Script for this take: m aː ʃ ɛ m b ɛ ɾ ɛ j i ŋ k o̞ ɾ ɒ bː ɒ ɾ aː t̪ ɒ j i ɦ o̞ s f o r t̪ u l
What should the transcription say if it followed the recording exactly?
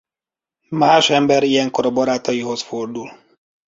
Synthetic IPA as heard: m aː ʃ ɛ m b ɛ ɾ i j ɛ ŋ k o̞ ɾ ɒ b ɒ ɾ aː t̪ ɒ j i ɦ o̞ s f o r d̪ u l